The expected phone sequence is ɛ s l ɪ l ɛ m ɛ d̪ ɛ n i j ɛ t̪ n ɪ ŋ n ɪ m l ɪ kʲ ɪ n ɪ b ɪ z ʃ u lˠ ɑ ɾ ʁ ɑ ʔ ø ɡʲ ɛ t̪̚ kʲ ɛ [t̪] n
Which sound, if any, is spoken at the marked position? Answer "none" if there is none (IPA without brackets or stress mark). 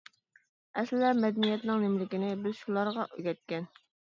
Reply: none